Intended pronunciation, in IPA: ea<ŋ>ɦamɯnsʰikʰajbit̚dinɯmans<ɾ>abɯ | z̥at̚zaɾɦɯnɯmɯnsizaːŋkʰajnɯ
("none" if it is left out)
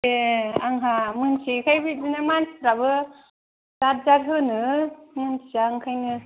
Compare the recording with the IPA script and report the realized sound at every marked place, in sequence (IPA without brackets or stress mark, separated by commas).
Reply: ŋ, ɾ